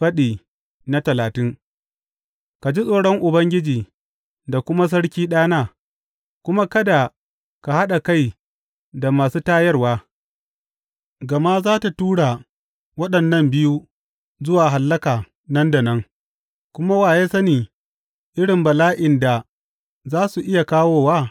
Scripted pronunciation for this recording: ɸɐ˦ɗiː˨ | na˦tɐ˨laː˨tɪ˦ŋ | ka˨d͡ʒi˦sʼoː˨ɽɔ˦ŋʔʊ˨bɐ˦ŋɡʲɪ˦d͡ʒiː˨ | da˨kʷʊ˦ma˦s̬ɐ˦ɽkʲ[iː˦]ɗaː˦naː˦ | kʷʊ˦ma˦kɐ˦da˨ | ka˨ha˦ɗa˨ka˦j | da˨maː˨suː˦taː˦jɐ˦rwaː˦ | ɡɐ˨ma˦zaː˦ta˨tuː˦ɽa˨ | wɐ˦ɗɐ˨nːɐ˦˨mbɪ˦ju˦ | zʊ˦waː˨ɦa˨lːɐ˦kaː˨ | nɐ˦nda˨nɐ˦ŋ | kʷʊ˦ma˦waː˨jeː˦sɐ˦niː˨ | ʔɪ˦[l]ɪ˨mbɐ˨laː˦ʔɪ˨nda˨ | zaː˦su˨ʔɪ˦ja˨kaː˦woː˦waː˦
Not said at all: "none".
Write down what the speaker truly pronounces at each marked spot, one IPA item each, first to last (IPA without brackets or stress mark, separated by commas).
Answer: iː˦, ɽ